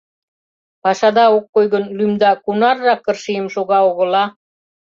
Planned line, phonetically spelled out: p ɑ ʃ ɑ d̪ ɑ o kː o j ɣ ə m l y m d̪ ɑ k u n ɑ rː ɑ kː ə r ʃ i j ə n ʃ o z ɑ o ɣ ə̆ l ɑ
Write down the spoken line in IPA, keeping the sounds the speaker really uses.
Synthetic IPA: p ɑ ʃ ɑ d̪ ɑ o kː o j ɣ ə n l y m d̪ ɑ k u n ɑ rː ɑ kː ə r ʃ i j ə m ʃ o ɣ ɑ o ɣ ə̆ l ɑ